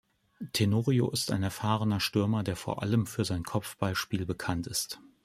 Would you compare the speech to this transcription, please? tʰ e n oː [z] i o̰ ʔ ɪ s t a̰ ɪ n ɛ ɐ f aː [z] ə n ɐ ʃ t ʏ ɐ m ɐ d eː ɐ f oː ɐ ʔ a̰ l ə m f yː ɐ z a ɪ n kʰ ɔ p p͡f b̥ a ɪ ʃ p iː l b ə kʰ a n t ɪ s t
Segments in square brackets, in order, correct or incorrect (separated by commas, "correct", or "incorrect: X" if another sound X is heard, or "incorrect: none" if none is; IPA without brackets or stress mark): incorrect: ʁ, incorrect: ʁ